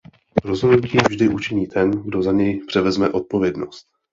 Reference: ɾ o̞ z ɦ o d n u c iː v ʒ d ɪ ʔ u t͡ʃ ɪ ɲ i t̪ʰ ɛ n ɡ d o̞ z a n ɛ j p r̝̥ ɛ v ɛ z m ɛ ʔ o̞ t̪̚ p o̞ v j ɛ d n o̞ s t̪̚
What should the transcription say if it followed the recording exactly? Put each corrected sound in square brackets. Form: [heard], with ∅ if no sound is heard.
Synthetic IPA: ɾ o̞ z ɦ o d n u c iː v ʒ d ɪ ʔ u t͡ʃ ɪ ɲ [iː] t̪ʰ ɛ n ɡ d o̞ z a [ɲ] ɛ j p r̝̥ ɛ v ɛ z m ɛ ʔ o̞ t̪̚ p o̞ v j ɛ d n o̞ s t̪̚